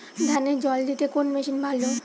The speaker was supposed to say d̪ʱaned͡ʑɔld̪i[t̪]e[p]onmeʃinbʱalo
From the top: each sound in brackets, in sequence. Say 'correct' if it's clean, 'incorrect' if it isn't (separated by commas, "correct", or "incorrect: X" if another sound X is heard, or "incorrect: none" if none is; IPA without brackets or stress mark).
correct, incorrect: k